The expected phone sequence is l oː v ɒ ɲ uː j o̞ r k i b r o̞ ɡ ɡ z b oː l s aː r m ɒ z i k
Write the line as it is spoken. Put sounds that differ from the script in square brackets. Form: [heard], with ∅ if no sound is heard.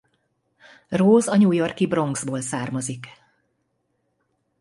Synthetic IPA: [r] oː [z] ɒ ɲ uː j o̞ r k i b r o̞ [ŋ] ɡ z b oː l s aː r m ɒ z i k